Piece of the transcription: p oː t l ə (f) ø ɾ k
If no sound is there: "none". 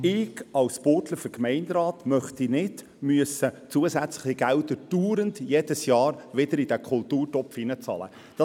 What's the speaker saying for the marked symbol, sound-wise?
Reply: f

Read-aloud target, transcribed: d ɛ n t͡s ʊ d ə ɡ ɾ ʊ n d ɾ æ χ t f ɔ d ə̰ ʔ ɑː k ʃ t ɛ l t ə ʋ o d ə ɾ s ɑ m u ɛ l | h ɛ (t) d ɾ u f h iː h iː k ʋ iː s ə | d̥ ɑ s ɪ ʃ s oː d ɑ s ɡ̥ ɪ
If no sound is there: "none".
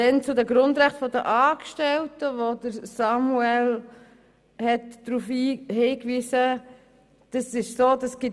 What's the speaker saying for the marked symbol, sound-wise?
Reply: t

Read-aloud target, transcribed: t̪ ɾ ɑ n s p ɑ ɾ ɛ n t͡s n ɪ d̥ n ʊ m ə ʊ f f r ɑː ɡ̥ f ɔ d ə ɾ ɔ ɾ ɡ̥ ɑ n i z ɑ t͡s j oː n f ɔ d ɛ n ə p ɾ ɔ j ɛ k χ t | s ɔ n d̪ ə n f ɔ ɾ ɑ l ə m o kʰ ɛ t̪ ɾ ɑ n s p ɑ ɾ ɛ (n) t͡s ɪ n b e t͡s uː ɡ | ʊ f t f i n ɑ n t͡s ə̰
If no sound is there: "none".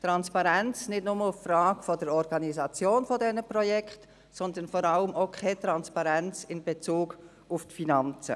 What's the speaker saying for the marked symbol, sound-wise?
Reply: n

